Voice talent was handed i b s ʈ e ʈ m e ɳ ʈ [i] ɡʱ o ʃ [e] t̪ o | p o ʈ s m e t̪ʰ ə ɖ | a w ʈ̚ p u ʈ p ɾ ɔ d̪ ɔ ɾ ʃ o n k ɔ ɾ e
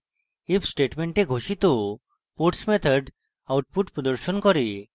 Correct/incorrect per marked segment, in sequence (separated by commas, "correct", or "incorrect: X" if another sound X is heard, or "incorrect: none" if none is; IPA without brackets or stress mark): incorrect: e, incorrect: i